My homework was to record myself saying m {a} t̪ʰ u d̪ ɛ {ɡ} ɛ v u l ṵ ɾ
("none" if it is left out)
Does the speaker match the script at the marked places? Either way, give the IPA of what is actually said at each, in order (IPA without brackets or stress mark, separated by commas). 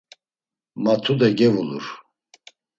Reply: a, ɡ